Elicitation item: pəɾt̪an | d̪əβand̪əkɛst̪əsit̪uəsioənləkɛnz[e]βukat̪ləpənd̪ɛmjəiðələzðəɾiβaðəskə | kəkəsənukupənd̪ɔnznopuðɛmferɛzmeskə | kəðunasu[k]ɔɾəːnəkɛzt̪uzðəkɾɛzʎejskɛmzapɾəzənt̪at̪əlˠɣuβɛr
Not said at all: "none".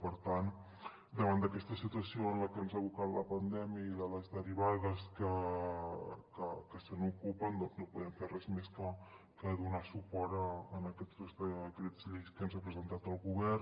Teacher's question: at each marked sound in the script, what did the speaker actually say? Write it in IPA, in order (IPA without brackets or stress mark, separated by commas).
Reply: a, p